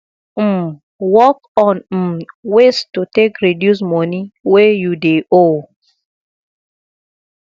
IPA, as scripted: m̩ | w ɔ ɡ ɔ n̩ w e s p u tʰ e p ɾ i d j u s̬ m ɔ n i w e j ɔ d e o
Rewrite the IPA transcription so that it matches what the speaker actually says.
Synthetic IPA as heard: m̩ | w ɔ k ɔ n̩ w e s t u t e k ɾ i d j u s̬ m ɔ n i w e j u d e o